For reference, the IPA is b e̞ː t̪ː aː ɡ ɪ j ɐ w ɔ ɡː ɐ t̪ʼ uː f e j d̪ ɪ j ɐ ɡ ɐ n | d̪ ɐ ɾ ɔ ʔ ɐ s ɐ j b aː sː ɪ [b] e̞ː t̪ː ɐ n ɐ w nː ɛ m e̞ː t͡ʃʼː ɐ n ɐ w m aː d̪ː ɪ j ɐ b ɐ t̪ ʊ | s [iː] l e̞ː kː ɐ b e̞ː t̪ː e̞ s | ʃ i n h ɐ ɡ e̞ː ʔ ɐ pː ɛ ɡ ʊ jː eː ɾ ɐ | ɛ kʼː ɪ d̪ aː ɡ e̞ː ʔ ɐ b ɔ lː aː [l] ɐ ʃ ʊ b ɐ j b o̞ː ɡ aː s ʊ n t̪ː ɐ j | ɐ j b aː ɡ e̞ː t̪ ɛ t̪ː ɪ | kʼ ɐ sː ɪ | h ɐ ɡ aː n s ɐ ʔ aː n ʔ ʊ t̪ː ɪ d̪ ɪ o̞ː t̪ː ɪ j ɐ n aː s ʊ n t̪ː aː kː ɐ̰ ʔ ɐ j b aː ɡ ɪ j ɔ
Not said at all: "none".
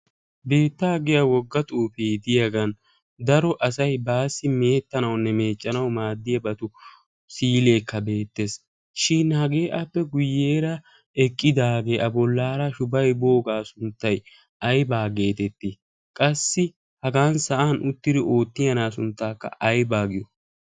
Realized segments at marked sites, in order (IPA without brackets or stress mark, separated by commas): m, iː, ɾ